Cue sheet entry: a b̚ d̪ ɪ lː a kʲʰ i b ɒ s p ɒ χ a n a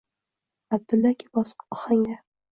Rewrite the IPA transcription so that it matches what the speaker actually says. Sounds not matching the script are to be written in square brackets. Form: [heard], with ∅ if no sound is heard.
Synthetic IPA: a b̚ d̪ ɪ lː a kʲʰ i b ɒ s [q] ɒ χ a [ŋ] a